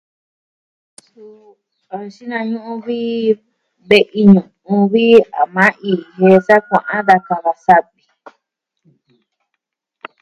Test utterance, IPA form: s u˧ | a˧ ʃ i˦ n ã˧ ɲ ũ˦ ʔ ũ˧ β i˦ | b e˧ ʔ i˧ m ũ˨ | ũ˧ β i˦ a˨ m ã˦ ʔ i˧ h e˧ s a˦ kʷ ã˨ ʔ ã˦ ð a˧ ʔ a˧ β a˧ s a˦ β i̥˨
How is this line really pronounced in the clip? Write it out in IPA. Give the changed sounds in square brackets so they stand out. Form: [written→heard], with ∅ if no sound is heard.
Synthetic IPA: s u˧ | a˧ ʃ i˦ n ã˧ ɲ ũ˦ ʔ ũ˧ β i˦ | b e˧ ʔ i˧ [m→ɲ] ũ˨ | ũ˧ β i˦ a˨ m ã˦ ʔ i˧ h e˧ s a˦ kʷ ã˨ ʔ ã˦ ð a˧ [ʔ→k] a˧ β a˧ s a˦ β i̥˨